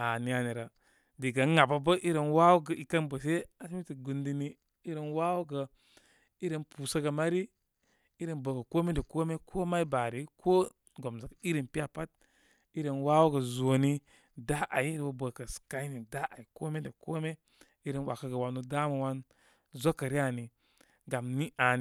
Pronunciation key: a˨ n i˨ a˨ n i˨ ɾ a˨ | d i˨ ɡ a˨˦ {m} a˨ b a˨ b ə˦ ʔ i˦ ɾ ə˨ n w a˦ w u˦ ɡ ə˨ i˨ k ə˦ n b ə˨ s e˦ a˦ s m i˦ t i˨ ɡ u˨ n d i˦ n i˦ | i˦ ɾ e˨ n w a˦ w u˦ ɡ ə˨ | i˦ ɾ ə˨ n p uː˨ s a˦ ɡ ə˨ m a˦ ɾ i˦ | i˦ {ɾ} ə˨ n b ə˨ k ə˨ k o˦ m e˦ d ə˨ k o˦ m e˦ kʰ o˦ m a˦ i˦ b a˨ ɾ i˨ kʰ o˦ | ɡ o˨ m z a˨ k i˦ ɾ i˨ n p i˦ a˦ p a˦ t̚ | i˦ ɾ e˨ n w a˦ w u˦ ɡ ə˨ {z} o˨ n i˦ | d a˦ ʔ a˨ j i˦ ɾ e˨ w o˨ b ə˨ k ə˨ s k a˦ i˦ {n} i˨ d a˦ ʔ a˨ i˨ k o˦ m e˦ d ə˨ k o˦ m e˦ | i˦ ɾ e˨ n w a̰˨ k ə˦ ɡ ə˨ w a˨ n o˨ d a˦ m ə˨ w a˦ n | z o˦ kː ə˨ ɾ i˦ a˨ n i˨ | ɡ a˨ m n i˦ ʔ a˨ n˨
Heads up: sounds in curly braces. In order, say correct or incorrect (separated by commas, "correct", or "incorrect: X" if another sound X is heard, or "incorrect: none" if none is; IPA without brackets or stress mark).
incorrect: ŋ, correct, correct, correct